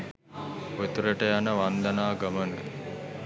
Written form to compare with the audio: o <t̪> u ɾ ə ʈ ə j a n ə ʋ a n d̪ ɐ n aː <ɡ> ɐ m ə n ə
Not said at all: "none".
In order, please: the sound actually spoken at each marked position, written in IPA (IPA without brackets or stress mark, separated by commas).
t̪, ɡ